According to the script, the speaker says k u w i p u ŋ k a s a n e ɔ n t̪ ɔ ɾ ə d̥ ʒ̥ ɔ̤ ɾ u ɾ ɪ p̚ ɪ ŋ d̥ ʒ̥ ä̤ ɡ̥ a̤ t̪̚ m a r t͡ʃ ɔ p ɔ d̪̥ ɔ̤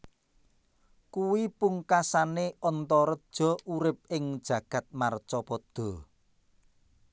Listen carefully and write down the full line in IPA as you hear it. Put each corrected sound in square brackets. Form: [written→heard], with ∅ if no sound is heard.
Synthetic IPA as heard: k u w i p u ŋ k a s a n e ɔ n t̪ ɔ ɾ ə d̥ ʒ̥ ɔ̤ [ɾ→∅] u ɾ ɪ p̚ ɪ ŋ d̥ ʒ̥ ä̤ ɡ̥ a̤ t̪̚ m a r t͡ʃ ɔ p ɔ d̪̥ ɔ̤